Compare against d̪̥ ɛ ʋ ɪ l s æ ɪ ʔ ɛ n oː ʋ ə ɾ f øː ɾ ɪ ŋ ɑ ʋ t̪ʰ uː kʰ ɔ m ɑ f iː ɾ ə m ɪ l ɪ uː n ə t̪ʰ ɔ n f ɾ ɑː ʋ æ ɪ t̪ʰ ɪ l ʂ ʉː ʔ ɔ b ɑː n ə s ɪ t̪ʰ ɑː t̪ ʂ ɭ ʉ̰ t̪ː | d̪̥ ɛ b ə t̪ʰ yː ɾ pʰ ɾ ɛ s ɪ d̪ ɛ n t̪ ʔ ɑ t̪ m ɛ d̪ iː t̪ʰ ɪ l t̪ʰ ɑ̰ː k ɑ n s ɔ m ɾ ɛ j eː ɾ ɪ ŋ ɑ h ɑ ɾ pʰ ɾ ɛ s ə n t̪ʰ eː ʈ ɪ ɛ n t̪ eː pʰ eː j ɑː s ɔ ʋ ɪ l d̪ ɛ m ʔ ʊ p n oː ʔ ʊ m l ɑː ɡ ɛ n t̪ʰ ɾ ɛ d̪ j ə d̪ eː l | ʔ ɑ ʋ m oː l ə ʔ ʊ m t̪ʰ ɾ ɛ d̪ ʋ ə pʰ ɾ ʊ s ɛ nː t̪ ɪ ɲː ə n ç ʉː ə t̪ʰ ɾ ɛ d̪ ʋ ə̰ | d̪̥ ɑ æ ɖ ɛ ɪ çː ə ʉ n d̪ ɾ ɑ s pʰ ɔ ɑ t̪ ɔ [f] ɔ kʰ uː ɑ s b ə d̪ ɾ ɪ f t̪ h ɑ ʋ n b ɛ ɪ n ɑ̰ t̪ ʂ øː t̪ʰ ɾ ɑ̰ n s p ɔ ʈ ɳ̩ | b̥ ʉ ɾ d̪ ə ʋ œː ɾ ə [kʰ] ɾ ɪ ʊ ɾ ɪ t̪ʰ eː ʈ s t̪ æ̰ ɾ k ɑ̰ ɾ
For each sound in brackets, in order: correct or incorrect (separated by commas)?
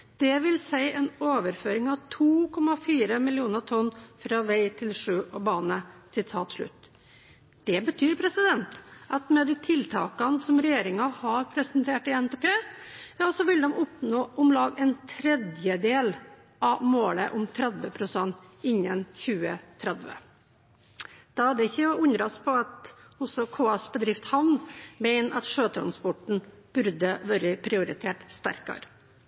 incorrect, incorrect